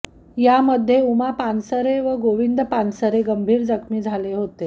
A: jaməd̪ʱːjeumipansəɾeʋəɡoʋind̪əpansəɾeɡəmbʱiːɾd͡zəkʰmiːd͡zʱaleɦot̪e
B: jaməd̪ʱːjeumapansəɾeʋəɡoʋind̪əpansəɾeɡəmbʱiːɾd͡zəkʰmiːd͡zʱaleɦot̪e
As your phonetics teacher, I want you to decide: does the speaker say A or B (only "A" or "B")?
B